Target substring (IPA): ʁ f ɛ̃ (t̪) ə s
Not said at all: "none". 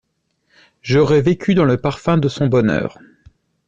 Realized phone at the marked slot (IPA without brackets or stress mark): d̪